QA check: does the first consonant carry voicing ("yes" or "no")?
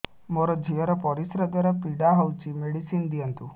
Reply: yes